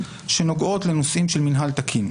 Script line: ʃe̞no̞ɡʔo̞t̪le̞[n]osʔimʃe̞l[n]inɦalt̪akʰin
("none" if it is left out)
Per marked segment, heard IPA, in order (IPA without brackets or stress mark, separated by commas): n, m